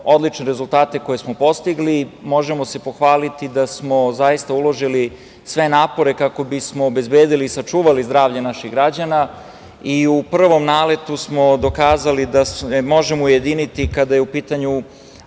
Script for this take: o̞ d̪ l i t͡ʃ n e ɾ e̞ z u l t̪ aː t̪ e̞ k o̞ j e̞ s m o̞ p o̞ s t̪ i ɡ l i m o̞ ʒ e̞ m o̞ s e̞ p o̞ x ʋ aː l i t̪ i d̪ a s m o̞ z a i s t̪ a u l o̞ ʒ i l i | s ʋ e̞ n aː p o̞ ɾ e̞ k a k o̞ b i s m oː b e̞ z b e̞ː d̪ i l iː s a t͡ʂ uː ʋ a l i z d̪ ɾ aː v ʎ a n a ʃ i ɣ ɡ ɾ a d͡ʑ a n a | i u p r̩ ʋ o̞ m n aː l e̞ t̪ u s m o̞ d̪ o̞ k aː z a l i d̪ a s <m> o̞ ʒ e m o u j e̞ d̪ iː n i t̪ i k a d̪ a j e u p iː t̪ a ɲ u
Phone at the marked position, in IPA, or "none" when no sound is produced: m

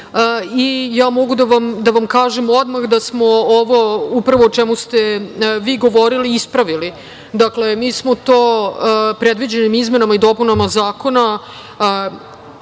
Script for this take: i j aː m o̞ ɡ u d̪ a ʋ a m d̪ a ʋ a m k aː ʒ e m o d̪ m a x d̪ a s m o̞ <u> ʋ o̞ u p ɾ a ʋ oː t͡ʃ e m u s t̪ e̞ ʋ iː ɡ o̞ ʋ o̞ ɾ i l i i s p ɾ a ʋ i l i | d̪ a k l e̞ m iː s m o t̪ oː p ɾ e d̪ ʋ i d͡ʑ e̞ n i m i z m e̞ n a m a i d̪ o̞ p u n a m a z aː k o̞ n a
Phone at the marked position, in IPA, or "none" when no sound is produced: o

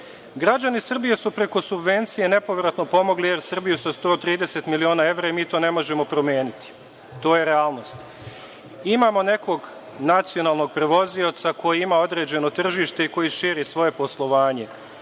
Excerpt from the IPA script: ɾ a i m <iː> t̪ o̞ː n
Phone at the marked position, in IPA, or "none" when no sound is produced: iː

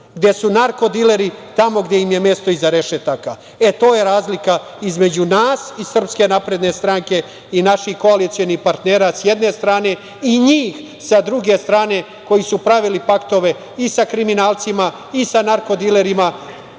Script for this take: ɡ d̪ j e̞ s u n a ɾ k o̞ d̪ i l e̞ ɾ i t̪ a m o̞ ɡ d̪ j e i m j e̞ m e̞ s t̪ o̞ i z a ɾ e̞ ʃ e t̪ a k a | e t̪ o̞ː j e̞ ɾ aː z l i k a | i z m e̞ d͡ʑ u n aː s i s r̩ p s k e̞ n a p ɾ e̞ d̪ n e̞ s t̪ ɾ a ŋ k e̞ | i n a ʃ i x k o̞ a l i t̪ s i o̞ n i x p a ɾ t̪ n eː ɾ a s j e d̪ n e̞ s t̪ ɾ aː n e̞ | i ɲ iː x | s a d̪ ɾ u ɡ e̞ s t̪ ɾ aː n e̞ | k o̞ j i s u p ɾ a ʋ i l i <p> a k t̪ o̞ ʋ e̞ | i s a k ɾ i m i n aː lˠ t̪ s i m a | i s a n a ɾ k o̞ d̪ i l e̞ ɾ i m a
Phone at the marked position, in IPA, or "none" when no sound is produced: p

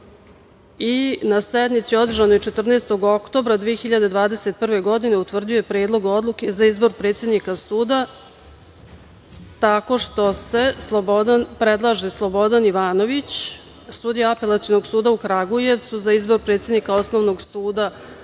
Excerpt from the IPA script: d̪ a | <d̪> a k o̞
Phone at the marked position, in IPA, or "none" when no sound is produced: t̪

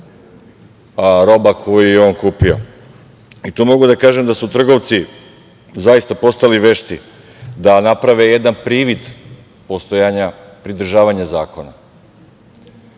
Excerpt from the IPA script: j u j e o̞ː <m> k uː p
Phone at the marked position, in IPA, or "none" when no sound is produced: n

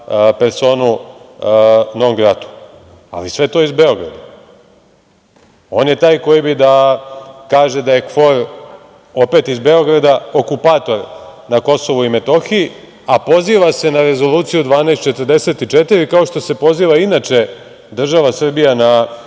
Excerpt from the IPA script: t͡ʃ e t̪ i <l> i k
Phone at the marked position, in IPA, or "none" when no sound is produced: ɾ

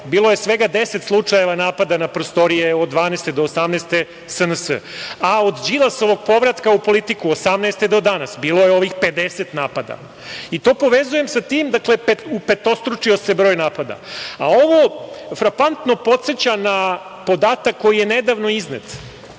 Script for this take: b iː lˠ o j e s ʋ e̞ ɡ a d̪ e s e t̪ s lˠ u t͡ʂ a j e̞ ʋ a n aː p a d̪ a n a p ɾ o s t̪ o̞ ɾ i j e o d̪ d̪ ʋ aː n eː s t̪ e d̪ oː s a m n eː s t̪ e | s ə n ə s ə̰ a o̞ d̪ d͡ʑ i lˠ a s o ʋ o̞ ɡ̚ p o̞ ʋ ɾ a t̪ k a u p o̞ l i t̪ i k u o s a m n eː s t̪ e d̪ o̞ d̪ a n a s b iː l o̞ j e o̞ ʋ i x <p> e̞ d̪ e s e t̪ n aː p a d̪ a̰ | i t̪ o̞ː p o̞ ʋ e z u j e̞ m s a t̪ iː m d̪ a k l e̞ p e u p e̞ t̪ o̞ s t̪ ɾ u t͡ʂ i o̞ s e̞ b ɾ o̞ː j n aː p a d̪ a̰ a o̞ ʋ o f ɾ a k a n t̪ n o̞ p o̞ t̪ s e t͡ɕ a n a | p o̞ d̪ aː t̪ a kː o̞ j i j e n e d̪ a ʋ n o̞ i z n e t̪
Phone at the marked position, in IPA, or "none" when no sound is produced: p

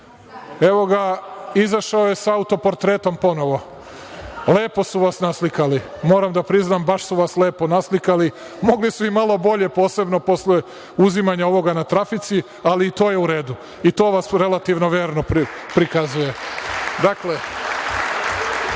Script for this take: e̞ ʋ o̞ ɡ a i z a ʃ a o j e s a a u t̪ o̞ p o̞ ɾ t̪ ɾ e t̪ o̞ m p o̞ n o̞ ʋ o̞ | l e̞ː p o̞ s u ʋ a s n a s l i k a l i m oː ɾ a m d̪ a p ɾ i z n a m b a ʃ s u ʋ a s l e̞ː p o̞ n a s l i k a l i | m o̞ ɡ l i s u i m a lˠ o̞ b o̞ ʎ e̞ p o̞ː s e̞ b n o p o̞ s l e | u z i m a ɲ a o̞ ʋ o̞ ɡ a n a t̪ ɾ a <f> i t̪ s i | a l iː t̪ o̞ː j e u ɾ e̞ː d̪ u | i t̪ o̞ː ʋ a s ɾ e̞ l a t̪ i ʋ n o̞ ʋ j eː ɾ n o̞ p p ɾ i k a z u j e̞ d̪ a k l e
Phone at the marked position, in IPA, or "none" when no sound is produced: f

